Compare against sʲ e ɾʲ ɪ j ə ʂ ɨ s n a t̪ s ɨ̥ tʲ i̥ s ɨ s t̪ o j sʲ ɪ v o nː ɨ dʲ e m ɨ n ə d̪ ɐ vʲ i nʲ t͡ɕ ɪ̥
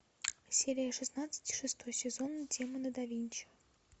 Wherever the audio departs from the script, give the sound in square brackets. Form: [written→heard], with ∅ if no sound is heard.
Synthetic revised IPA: sʲ e ɾʲ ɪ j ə ʂ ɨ s n a t̪ s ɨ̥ tʲ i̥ [s→ʂ] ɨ s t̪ o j sʲ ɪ [v→z] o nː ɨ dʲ e m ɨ n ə d̪ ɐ vʲ i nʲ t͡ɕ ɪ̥

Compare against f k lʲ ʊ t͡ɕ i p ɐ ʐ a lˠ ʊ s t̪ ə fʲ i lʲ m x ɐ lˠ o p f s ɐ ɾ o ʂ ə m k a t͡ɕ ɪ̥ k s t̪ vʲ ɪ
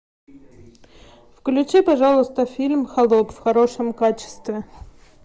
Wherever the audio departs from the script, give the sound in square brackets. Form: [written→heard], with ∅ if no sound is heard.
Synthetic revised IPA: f k lʲ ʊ t͡ɕ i p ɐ ʐ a lˠ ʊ s t̪ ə fʲ i lʲ m x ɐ lˠ o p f [s→x] ɐ ɾ o ʂ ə m k a t͡ɕ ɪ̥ [k→∅] s t̪ vʲ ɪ

